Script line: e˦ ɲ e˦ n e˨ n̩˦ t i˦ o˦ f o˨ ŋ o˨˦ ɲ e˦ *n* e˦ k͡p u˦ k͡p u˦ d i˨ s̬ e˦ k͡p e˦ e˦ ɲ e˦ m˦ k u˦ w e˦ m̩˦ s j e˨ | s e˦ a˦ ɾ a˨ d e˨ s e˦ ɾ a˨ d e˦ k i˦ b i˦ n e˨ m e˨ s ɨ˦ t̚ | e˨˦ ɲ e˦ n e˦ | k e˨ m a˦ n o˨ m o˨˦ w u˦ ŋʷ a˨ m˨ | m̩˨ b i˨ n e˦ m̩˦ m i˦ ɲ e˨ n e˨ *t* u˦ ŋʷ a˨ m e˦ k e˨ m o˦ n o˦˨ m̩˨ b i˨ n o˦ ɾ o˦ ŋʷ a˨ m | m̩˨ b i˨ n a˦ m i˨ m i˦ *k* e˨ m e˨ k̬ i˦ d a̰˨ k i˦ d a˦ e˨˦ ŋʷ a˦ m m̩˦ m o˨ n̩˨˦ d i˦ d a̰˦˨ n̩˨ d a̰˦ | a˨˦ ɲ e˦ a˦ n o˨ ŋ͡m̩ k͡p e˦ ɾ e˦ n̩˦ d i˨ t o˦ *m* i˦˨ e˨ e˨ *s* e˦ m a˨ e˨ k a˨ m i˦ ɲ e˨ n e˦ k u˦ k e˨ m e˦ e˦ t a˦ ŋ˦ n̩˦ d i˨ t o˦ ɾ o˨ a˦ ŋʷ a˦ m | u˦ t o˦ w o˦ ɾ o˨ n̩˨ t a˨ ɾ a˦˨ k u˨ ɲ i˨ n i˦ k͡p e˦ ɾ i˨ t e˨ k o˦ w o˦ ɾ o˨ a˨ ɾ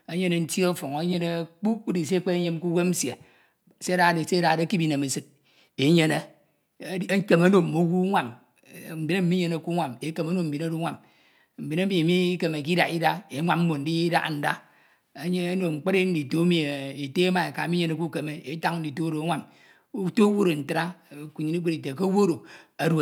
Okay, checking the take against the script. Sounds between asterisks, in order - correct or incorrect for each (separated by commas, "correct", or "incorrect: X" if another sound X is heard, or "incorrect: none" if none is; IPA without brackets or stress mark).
correct, incorrect: k, correct, correct, incorrect: t